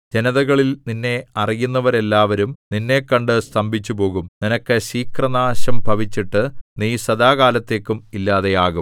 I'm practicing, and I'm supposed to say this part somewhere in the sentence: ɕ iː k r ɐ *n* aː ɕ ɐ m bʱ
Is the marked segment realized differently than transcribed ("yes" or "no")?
no